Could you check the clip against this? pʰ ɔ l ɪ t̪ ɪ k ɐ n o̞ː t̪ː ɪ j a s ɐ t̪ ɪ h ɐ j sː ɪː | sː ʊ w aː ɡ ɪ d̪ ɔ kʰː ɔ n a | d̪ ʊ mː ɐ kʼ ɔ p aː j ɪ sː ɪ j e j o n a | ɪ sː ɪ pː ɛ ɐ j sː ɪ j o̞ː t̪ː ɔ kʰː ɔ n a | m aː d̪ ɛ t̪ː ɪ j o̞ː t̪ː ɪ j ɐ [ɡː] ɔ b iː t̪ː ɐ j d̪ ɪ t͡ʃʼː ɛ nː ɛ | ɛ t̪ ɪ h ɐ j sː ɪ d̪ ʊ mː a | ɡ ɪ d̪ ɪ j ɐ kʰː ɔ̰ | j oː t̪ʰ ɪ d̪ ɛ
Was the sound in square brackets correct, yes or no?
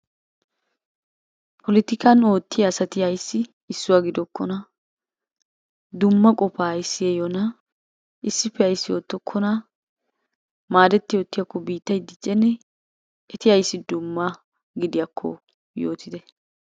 no